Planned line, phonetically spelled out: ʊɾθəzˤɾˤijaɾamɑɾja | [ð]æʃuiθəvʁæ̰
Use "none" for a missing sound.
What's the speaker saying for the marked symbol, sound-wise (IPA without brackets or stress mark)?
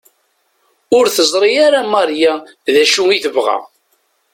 ð